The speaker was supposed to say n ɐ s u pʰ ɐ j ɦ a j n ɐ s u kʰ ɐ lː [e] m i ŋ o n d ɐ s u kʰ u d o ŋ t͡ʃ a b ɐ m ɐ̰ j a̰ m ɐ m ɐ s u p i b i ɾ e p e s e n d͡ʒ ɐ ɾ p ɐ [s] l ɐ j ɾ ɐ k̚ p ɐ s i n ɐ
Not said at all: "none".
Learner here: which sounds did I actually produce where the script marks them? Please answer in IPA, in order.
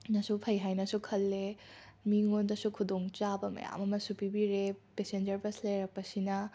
e, s

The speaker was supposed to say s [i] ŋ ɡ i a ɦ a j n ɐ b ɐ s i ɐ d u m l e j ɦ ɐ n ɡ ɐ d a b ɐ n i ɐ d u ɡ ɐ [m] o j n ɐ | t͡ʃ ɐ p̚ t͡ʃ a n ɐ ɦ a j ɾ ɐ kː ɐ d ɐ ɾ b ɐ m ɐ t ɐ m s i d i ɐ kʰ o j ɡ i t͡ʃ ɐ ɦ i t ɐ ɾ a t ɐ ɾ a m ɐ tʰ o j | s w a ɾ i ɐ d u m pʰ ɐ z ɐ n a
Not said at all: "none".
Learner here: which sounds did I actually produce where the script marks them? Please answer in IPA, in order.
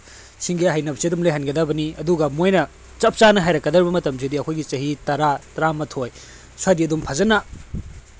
i, m

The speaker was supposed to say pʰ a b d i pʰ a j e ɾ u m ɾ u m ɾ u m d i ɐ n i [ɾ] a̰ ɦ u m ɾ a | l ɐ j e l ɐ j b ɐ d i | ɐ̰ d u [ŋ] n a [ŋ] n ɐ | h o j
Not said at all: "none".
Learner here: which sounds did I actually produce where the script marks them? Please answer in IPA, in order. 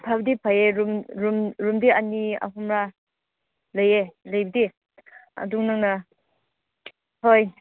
none, ŋ, ŋ

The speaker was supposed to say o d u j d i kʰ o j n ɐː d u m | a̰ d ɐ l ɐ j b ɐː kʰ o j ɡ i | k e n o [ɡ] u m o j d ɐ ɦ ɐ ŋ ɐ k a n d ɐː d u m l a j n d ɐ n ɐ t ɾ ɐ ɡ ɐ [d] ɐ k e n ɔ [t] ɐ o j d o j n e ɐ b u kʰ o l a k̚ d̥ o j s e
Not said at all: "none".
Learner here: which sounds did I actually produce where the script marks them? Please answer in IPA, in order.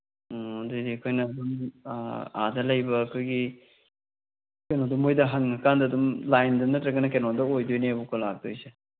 d, n, d

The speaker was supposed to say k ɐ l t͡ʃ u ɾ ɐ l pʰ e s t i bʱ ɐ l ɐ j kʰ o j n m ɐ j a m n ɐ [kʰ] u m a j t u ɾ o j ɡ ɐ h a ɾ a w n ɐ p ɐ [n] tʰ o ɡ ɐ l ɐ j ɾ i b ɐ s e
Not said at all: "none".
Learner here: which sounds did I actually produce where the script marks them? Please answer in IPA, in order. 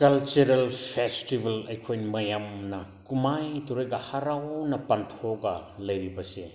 k, n

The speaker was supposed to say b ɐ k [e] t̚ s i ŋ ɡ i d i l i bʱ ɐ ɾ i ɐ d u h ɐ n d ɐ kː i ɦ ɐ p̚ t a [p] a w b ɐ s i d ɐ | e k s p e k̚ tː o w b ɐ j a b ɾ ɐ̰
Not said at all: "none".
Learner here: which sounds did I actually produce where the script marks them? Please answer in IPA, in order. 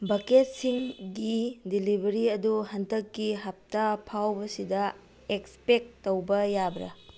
e, pʰ

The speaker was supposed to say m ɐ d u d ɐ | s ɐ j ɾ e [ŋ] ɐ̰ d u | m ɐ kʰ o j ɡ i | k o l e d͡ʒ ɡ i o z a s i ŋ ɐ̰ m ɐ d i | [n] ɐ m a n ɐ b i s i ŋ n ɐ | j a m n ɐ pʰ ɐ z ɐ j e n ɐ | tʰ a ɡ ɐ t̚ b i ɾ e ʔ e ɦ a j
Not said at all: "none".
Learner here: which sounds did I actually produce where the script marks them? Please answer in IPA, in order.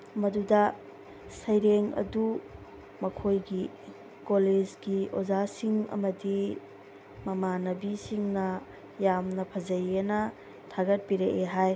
ŋ, m

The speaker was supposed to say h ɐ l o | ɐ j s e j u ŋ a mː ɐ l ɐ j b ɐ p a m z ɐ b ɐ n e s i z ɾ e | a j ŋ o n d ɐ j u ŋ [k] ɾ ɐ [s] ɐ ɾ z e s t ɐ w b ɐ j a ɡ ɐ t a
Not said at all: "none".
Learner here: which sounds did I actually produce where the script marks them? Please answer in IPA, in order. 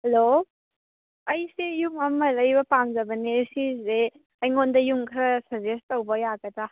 kʰ, s

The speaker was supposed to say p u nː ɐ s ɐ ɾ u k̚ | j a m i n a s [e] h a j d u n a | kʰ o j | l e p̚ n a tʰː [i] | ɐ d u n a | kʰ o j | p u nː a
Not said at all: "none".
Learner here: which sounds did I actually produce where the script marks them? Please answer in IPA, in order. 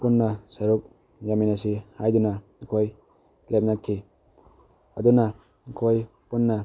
i, i

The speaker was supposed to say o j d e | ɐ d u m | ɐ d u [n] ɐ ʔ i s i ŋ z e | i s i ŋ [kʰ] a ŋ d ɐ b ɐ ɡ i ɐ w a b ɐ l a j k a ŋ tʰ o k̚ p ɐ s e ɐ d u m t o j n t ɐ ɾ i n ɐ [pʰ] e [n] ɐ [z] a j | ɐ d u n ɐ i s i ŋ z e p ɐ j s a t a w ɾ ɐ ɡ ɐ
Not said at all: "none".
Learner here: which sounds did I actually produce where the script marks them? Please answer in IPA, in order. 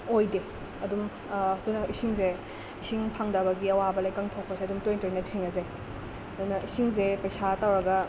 n, pʰ, tʰ, ŋ, z

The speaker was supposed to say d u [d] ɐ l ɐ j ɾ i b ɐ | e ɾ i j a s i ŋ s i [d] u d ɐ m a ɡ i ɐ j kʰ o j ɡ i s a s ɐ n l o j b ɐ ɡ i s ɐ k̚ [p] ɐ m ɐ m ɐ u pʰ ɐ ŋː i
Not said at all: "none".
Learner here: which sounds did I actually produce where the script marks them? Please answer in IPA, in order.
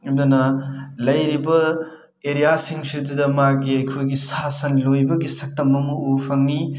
n, d, t

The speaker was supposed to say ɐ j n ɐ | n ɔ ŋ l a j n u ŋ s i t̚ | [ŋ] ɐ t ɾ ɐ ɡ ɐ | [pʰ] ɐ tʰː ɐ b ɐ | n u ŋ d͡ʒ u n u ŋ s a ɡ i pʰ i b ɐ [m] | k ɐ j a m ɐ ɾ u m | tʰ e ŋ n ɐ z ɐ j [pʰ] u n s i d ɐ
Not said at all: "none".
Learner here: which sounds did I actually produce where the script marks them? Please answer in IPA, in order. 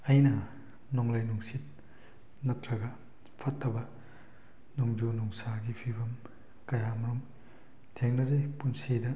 n, pʰ, m, p

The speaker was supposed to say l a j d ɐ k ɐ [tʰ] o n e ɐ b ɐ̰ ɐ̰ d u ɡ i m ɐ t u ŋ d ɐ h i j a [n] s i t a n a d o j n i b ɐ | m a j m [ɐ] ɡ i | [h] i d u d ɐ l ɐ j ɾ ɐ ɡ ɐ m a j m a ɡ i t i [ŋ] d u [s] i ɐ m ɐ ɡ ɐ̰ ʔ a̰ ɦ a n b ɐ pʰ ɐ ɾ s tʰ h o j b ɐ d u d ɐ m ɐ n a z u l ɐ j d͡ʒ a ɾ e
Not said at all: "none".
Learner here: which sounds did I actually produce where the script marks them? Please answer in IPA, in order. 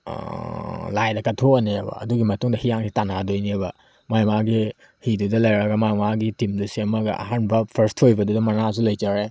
tʰ, ŋ, a, h, m, s

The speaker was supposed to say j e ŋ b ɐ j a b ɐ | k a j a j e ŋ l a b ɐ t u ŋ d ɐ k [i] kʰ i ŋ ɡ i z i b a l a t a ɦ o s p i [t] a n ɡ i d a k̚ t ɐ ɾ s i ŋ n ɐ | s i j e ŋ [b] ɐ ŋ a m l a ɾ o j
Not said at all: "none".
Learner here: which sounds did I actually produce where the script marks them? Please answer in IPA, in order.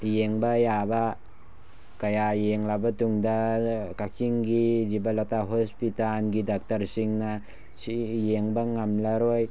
a, t, b

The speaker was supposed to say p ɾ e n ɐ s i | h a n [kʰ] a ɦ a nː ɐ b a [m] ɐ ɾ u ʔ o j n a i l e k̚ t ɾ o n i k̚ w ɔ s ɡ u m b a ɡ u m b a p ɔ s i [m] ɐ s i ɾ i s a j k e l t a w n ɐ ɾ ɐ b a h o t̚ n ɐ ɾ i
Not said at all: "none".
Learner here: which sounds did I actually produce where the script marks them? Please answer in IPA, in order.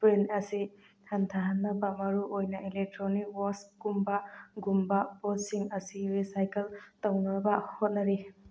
tʰ, m, ŋ

